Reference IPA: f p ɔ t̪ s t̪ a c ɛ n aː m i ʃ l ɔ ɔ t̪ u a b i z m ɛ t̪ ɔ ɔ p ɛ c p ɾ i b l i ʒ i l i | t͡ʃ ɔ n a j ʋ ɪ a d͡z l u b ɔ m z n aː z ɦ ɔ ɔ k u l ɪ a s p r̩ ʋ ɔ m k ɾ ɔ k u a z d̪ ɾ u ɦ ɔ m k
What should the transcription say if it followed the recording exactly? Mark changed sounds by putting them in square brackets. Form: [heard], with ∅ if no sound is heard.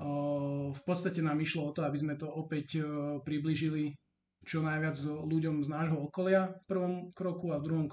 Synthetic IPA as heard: f p ɔ t̪ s t̪ a c ɛ n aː m i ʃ l ɔ ɔ t̪ [ɔ] a b i z m ɛ t̪ ɔ ɔ p ɛ c p ɾ i b l i ʒ i l i | t͡ʃ ɔ n a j ʋ ɪ a d͡z l u [ɟ] ɔ m z n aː [ʒ] ɦ ɔ ɔ k [ɔ] l ɪ a [f] p r̩ ʋ ɔ m k ɾ ɔ k u a [v] d̪ ɾ u ɦ ɔ m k